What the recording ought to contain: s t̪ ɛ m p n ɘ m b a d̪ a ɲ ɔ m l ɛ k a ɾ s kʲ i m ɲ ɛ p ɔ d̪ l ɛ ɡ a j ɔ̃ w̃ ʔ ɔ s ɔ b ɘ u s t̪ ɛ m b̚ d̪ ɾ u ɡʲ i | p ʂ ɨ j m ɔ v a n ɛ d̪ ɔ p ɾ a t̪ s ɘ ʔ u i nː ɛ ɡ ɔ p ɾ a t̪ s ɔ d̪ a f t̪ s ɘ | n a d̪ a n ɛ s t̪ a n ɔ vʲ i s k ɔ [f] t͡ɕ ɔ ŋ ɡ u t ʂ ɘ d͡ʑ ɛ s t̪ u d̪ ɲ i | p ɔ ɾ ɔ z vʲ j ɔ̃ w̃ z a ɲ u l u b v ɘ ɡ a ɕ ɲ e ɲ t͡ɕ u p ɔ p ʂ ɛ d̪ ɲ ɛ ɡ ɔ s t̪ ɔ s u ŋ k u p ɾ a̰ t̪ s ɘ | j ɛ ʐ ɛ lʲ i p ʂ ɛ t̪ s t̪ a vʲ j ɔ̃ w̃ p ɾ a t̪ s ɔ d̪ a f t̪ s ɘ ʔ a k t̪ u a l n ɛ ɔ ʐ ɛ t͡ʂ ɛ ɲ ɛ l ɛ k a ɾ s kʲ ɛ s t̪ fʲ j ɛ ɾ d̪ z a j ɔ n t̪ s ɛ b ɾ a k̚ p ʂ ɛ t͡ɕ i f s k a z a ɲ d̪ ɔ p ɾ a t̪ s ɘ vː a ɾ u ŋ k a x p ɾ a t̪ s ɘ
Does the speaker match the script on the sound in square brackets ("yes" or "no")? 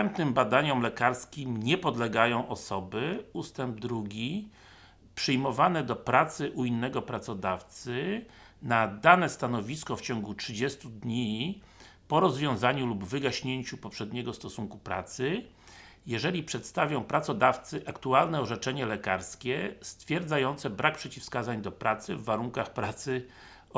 yes